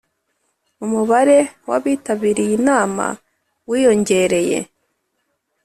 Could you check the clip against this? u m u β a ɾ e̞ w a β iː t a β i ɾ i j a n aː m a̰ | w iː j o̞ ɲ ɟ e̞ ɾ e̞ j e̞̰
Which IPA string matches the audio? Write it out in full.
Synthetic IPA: u m u β a ɾ e̞ w a β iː t a β i ɾ i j i n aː m a̰ | w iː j o̞ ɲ ɟ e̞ ɾ e̞ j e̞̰

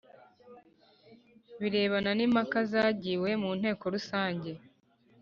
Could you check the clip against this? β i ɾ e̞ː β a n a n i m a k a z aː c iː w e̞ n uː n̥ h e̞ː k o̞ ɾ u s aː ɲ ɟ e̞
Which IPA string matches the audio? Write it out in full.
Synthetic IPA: β i ɾ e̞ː β a n a n i m a k a z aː ɟ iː w e̞ m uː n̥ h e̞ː k o̞ ɾ u s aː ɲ ɟ e̞

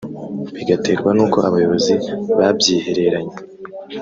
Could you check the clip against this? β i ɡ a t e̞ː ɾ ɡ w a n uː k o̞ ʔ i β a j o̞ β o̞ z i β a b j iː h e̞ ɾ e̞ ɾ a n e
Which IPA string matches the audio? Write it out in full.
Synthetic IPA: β i ɡ a t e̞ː ɾ ɡ w a n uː k o̞ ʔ a β a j o̞ β o̞ z i β a b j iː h e̞ ɾ e̞ ɾ a ɲ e

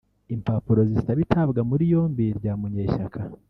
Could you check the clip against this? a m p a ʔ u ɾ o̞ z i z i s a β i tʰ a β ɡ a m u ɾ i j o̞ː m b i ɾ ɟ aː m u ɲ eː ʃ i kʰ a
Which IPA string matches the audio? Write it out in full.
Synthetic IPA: i m p a p u ɾ o̞ z i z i t a β i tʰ a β ɡ a m u ɾ i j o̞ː m b i ɾ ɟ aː m u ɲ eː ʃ a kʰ a

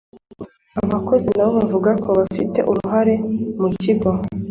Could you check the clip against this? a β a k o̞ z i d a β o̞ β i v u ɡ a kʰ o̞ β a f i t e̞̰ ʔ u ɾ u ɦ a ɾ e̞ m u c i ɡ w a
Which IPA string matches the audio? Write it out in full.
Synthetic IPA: a β a k o̞ z i n a β o̞ β a v u ɡ a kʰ o̞ β a f i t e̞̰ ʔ u ɾ u ɦ a ɾ e̞ m u c i ɡ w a

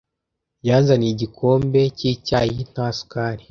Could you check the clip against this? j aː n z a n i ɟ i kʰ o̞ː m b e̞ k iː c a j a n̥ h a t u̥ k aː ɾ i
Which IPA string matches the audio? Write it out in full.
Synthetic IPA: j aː n z a n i ɟ i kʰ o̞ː m b e̞ c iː c a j i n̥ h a s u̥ k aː ɾ i

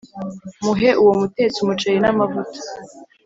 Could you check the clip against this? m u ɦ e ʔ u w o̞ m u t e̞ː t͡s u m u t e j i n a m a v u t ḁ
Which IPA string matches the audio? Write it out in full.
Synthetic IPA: m u ɦ e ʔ u w o̞ m u t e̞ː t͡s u m u t͡ʃ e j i n a m a v u t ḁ

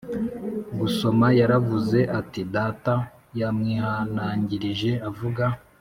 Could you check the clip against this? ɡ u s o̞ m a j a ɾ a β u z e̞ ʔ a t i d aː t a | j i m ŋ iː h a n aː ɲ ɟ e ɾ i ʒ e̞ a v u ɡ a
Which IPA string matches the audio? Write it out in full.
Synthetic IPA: ɡ u s o̞ m a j a ɾ a v u z e̞ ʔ a t i d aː t a | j a m ŋ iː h a n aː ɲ ɟ i ɾ i ʒ e̞ a v u ɡ a

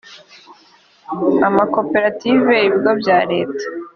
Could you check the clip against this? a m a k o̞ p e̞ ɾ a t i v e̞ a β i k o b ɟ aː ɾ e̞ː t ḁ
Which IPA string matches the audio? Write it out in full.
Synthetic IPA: a m a k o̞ p e̞ ɾ a t i v e̞ i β i ɡ o b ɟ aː ɾ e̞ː t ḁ

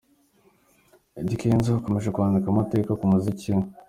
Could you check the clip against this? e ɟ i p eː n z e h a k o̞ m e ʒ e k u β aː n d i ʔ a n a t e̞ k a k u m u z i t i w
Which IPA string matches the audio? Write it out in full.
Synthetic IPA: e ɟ i k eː n z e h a k o̞ m e ʒ e k u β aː n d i k a m a t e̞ k a k u m u z i c i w

